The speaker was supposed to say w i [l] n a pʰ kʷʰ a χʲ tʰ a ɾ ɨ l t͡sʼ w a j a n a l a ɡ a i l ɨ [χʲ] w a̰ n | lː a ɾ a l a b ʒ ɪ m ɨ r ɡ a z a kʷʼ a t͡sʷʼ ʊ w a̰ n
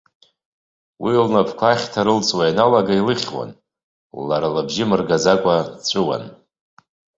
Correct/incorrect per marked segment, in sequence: correct, correct

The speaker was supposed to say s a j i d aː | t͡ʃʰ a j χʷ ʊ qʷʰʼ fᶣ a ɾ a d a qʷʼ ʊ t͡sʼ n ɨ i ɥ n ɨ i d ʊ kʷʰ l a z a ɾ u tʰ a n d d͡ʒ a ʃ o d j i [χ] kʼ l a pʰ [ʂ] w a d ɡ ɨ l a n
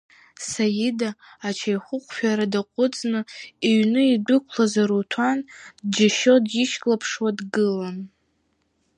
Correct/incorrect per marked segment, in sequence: incorrect: ʃ, correct

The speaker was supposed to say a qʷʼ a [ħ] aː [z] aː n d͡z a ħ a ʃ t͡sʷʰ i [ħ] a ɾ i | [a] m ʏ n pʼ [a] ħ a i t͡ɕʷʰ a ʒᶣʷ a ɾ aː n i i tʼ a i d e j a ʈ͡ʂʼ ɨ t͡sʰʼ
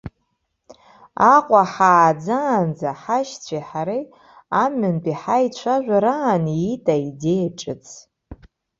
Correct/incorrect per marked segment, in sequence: correct, incorrect: d͡z, correct, correct, incorrect: i

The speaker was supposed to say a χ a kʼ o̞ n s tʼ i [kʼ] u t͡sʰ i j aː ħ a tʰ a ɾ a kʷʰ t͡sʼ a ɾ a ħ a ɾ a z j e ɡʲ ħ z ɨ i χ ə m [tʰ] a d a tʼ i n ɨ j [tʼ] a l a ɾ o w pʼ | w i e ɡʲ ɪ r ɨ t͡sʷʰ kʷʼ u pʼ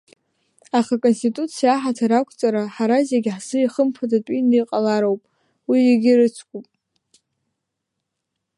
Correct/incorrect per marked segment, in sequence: incorrect: tʼ, incorrect: pʰ, incorrect: qʼ

